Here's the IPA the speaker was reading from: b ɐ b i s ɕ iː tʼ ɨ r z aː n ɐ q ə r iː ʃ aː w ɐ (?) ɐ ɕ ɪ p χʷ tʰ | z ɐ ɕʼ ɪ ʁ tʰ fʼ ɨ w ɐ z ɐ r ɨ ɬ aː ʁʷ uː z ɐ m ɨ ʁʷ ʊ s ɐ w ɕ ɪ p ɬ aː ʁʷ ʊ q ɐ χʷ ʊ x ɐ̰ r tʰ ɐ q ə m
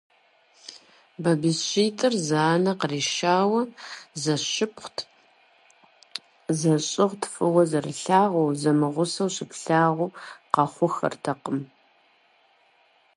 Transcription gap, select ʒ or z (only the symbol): z